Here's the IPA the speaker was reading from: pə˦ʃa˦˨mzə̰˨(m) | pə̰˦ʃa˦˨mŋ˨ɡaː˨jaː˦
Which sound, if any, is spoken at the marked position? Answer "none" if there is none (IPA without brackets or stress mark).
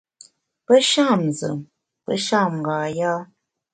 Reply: m